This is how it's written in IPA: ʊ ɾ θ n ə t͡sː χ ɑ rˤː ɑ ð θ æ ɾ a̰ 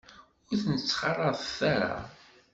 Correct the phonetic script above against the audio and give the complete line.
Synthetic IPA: ʊ ɾ θ n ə t͡sː χ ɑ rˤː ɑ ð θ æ ɾ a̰

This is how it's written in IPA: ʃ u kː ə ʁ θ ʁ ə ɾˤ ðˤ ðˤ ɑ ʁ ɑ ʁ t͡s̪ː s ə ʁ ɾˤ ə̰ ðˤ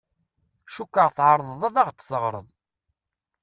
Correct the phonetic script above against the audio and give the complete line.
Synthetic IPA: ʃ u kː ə ʁ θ ʕ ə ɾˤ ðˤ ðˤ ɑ ð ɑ ʁ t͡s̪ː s ə ʁ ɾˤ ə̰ ðˤ

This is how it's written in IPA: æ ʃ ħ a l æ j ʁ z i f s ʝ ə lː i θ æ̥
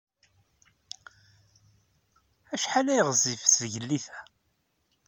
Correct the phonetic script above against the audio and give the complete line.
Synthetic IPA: æ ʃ ħ a l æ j ʁ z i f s ʝ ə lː i θ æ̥

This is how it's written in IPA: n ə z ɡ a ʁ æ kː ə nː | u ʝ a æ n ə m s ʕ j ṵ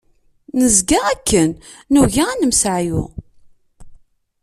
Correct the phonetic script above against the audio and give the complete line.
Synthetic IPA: n ə z ɡ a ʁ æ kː ə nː | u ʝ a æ n ə m s ʕ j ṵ

